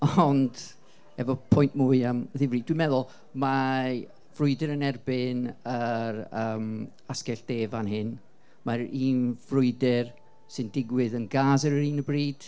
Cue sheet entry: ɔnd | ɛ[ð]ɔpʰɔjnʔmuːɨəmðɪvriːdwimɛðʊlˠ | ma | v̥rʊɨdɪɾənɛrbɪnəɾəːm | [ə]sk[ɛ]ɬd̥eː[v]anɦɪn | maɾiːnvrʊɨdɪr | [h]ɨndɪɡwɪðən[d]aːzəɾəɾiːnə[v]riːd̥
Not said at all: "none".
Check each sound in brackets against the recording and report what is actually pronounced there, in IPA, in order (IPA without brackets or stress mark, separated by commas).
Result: v, a, ɛ, v, s, ɡ, b